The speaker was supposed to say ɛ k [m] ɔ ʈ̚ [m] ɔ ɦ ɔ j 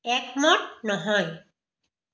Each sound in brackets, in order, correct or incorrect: correct, incorrect: n

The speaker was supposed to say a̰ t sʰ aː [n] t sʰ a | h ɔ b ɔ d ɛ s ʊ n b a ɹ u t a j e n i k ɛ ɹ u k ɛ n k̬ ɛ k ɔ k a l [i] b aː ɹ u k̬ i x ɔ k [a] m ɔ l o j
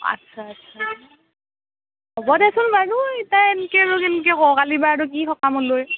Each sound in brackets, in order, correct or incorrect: incorrect: none, correct, correct

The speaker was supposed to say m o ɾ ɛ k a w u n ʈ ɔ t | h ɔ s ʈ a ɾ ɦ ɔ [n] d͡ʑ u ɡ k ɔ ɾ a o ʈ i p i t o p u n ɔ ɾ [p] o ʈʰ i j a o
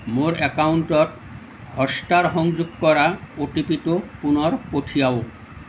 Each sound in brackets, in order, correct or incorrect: incorrect: ŋ, correct

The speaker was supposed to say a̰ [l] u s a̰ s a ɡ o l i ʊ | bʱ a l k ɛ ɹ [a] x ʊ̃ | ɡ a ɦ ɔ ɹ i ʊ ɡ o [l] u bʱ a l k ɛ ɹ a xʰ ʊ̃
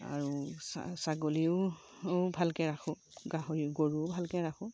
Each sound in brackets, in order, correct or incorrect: incorrect: ɹ, correct, incorrect: ɹ

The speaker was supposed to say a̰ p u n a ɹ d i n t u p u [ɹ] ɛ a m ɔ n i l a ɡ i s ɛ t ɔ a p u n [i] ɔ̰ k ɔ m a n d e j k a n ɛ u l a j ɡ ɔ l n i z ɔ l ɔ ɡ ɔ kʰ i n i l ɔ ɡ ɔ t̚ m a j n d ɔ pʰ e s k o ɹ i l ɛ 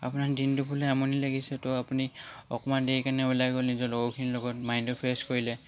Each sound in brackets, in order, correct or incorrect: incorrect: l, correct

